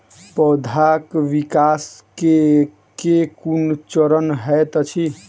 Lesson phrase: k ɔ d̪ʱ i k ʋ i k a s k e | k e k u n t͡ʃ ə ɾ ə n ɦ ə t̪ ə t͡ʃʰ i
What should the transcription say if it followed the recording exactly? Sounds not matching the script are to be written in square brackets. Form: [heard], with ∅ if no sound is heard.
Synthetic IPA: [p] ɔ d̪ʱ [a] k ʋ i k a s k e | k e k u n t͡ʃ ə ɾ ə n ɦ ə t̪ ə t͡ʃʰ i